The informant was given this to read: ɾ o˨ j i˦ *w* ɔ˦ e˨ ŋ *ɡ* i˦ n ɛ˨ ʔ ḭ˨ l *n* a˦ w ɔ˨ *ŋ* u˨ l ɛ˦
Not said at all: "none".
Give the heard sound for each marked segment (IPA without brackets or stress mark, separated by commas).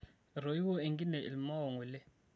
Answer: w, ɡ, m, ŋ